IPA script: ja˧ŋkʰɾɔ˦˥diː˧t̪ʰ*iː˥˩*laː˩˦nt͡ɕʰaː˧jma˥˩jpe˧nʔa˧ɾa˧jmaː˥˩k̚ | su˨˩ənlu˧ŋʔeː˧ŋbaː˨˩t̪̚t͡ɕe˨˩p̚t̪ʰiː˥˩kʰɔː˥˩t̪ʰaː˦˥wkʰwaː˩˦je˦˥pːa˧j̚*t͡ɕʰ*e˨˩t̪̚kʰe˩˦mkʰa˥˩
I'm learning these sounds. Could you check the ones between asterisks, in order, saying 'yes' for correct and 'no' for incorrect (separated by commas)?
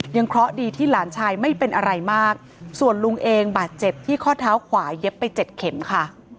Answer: yes, no